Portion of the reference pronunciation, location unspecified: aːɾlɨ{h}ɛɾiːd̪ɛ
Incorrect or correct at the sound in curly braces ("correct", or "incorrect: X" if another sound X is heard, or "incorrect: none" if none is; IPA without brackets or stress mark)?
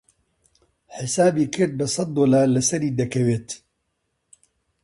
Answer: incorrect: s